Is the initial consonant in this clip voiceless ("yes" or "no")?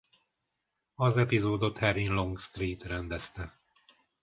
no